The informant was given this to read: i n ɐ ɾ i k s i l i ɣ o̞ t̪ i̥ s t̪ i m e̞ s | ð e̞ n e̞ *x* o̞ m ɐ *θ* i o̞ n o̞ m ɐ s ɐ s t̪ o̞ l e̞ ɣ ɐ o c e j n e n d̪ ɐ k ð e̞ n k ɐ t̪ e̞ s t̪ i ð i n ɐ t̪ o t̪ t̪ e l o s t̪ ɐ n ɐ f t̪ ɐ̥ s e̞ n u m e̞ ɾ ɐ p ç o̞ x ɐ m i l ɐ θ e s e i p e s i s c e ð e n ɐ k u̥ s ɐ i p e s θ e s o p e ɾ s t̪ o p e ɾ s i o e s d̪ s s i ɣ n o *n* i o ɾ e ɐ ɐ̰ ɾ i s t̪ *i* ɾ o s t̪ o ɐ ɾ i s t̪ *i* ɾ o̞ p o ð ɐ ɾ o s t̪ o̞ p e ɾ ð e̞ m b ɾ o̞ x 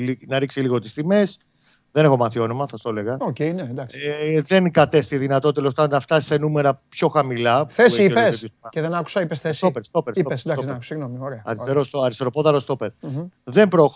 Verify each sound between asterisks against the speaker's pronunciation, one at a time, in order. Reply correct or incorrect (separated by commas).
correct, correct, incorrect, incorrect, incorrect